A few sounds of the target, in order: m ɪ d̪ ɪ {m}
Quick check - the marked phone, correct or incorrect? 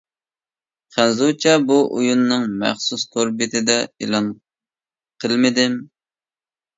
correct